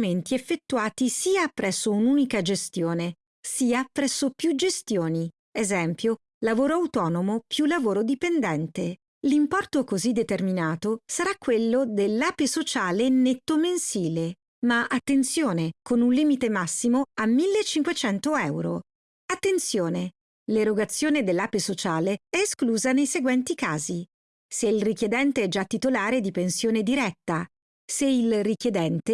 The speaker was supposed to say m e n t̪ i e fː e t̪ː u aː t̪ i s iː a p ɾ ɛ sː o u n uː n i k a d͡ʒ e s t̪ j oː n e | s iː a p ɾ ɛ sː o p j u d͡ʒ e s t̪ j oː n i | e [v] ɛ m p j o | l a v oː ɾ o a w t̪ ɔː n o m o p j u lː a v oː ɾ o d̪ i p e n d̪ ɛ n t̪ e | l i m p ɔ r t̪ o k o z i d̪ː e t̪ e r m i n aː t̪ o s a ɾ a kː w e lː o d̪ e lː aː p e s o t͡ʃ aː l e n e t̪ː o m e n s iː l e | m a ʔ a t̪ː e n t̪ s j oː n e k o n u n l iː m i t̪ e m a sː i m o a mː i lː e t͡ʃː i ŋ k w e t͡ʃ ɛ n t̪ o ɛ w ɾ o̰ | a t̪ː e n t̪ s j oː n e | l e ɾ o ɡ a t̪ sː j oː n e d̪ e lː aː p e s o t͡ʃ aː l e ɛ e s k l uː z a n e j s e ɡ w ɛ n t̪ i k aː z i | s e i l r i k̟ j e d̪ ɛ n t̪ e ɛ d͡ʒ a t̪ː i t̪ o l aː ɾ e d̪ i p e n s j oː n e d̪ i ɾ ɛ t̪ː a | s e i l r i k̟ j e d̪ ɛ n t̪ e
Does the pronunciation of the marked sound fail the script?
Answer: yes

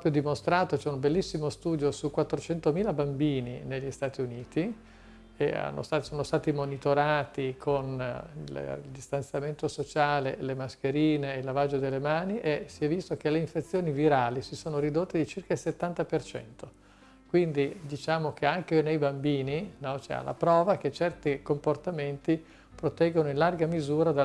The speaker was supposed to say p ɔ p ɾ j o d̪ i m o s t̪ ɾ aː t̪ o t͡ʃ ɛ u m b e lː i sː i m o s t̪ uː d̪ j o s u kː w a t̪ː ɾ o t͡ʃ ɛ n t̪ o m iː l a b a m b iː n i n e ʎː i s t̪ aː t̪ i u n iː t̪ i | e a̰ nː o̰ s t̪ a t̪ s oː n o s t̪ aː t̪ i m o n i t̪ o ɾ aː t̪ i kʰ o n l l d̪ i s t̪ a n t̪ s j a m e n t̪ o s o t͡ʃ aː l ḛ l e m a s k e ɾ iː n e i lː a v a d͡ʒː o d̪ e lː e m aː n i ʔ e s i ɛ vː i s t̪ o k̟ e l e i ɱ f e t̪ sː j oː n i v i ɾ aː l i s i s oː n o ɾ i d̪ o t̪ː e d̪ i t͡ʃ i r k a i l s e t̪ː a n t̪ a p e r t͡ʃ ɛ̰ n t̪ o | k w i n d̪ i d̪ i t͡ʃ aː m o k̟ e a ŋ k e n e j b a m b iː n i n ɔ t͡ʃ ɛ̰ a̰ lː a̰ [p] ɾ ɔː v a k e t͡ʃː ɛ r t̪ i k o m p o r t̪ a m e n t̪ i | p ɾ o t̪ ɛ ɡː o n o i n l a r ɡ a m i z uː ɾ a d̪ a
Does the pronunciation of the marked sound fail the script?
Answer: no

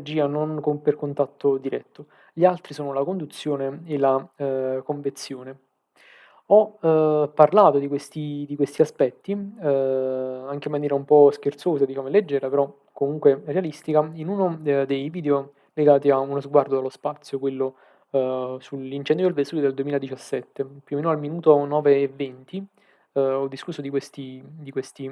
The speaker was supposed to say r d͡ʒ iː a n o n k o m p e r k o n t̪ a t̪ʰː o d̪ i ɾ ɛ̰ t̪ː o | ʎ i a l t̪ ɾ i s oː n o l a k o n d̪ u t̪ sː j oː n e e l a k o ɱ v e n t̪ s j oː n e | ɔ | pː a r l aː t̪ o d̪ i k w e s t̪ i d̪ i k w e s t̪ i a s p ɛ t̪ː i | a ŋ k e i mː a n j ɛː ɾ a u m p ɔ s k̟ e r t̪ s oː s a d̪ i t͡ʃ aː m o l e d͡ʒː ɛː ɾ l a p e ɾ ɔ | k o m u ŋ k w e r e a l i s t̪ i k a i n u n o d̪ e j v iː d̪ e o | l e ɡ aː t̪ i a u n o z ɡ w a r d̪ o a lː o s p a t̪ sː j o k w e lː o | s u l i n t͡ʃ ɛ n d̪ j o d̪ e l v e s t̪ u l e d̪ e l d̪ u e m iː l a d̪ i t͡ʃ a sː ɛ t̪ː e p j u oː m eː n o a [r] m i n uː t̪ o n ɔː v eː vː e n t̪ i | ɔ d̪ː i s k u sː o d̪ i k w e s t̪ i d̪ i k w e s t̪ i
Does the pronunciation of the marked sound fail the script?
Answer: yes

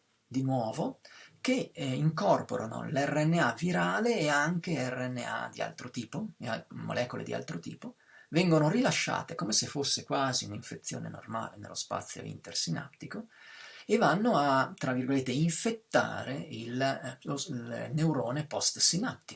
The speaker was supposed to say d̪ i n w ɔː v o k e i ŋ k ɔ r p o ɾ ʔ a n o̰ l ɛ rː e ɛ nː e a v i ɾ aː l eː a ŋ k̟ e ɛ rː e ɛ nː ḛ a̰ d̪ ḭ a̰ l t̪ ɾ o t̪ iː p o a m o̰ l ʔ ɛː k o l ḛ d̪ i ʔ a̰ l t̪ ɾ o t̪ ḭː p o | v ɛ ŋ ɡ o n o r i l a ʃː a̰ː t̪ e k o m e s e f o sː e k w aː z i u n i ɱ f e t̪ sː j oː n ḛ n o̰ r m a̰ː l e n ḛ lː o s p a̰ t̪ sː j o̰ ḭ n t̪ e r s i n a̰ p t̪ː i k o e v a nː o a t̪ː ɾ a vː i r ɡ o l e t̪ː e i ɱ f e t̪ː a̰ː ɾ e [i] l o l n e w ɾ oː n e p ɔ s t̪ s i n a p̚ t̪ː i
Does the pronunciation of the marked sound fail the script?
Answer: no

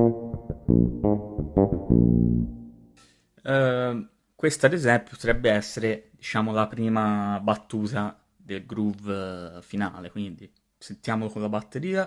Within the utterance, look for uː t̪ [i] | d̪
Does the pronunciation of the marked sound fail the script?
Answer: yes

